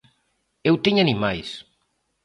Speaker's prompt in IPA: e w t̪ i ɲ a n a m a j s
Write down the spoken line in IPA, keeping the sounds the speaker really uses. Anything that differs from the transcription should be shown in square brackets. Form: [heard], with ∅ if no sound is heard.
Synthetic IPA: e w t̪ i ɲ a n [i] m a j s